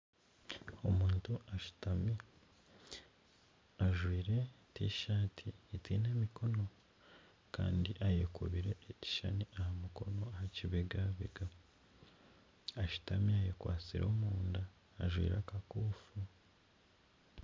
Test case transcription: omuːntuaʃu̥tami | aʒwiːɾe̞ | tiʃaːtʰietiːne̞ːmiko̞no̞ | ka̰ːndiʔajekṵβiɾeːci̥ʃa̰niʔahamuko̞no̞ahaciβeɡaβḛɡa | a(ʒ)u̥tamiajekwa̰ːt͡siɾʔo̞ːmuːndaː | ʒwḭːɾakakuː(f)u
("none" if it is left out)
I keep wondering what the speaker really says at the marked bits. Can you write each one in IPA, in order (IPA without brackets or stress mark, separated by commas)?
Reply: ʃ, f